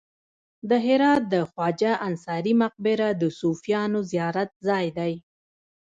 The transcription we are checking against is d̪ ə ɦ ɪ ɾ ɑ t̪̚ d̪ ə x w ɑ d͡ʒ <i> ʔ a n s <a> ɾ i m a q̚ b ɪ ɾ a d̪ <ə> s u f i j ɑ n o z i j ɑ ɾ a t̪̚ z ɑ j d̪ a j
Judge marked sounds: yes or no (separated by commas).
no, no, yes